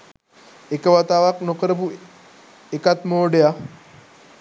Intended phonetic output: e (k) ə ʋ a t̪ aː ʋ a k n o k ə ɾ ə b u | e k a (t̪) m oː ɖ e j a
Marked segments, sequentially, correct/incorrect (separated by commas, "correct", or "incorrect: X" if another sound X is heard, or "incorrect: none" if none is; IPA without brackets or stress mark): correct, correct